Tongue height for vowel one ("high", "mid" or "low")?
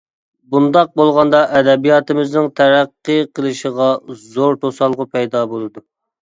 high